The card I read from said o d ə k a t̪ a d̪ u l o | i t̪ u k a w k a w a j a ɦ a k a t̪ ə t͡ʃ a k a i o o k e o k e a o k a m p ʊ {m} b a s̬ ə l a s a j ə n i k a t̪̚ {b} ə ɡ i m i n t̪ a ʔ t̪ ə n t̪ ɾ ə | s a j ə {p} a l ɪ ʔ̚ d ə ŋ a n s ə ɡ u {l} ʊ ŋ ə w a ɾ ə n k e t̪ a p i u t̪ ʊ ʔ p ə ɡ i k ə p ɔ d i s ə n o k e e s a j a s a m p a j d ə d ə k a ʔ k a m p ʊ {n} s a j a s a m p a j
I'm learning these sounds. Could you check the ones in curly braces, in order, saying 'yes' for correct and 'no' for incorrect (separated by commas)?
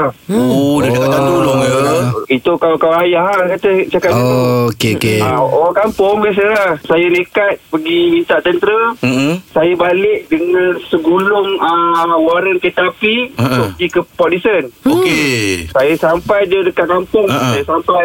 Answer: no, no, no, yes, no